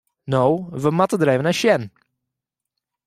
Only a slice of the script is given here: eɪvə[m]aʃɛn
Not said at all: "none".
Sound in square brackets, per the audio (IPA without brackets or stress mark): n